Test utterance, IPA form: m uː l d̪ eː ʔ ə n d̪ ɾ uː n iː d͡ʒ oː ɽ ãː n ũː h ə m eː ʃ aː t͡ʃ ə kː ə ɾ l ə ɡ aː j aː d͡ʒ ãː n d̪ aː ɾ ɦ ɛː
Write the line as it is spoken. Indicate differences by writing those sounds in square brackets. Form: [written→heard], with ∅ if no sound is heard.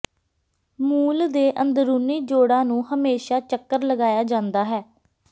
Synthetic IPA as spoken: m uː l d̪ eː ʔ ə n d̪ ɾ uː n iː d͡ʒ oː ɽ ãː n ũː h ə m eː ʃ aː t͡ʃ ə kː ə ɾ l ə ɡ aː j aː d͡ʒ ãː n d̪ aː [ɾ→∅] ɦ ɛː